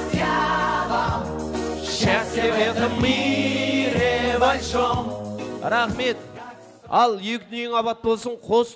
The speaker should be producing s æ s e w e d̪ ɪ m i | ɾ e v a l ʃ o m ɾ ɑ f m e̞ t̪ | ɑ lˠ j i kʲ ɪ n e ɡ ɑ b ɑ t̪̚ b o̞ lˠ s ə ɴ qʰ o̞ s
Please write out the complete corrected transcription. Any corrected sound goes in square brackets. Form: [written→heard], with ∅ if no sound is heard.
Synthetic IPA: [s→ʃ] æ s e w e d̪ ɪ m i | ɾ e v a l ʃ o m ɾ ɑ [f→χ] m e̞ t̪ | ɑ lˠ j [i→e] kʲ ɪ n e [ɡ→ŋ] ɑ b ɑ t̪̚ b o̞ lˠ s ə ɴ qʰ o̞ s